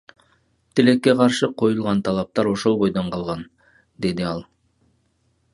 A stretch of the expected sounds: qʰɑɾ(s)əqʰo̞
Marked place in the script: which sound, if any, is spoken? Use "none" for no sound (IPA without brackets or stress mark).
ʃ